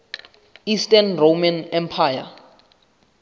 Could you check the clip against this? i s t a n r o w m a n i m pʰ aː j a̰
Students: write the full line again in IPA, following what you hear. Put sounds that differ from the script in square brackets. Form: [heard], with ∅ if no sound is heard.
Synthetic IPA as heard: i s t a n r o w m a n [ɛ] m pʰ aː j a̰